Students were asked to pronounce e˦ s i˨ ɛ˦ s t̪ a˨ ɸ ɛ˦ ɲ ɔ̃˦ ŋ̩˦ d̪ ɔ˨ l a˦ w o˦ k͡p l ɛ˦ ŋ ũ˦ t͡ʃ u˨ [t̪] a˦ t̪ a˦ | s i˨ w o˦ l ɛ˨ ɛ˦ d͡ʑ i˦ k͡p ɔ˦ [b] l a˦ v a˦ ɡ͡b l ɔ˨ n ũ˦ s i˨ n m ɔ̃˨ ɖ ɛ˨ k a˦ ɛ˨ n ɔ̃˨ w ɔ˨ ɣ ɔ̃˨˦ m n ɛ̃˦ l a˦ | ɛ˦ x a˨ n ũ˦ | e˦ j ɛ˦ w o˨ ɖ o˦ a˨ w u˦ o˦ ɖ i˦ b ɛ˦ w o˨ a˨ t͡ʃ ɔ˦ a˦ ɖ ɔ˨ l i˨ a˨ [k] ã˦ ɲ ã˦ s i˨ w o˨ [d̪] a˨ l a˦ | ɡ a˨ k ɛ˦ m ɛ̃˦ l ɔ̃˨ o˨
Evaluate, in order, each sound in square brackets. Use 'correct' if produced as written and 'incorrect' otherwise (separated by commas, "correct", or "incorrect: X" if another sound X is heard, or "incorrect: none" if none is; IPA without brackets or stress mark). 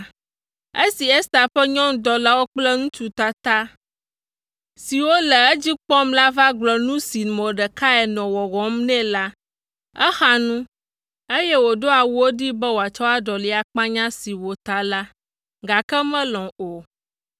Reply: correct, incorrect: m, incorrect: k͡p, incorrect: t̪